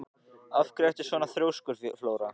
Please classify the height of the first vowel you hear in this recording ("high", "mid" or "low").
low